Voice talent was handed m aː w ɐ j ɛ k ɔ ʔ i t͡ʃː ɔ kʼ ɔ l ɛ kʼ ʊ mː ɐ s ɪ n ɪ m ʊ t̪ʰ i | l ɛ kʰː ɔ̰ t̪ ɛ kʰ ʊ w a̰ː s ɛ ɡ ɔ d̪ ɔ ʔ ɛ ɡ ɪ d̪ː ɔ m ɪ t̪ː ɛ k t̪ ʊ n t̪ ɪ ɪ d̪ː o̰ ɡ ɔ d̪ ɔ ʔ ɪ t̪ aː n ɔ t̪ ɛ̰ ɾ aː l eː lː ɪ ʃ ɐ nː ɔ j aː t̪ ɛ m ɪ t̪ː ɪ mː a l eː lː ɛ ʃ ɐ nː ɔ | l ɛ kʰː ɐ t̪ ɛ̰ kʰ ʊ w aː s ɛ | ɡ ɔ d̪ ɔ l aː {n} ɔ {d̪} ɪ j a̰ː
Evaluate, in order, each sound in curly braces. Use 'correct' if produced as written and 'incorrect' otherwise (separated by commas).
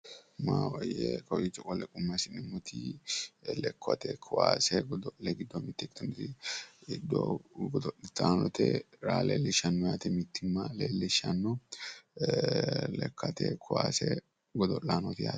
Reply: correct, incorrect